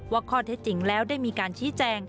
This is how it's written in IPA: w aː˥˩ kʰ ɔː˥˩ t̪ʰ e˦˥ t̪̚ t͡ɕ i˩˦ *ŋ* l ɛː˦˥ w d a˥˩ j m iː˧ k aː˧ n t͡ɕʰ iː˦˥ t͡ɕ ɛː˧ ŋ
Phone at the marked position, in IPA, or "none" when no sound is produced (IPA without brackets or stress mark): ŋ